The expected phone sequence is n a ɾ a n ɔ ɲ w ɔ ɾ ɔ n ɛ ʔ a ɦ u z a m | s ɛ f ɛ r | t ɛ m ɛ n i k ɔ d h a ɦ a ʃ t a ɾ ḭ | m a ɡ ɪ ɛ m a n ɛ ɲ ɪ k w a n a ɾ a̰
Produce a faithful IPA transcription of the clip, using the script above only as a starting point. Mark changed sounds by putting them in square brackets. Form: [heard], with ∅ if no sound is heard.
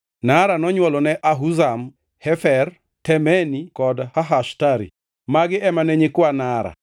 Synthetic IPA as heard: n a ɾ a n ɔ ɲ w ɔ [l] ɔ n ɛ ʔ a ɦ u z a m | [h] ɛ f ɛ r | t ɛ m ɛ n i k ɔ d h a ɦ a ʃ t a ɾ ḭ | m a ɡ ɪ ɛ m a n ɛ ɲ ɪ k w a n a ɾ a̰